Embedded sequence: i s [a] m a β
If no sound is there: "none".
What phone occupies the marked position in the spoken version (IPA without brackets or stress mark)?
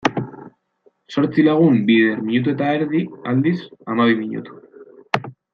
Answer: a